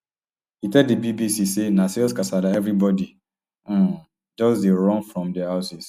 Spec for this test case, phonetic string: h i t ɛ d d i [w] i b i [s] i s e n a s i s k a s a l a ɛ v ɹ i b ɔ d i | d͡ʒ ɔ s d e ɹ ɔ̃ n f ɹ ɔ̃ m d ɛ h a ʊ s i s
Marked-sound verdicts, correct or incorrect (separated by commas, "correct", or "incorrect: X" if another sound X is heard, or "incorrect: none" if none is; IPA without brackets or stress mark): incorrect: b, correct